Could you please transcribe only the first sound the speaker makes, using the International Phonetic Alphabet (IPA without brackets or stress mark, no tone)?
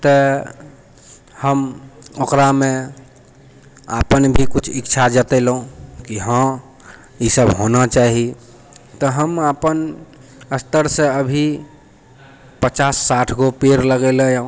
t̪